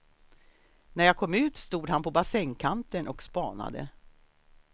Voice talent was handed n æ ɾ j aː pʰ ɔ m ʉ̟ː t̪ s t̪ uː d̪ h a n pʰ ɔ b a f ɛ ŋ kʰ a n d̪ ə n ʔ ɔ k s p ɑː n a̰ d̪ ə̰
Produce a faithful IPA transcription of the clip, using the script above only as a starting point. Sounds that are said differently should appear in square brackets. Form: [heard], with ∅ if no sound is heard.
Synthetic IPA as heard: n æ ɾ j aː [kʰ] ɔ m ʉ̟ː t̪ s t̪ uː d̪ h a n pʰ ɔ b a [s] ɛ ŋ kʰ a n [t̪] ə n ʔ ɔ k s p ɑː n a̰ d̪ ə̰